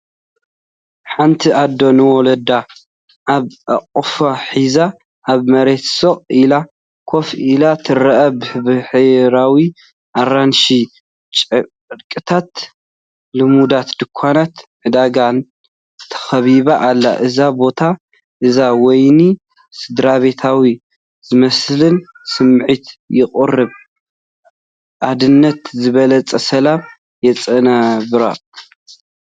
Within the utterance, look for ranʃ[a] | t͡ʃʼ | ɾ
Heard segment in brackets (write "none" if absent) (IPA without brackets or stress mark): i